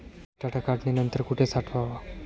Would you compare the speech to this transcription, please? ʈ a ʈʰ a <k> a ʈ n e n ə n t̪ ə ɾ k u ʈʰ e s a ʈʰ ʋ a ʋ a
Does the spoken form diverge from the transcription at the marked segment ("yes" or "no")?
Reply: no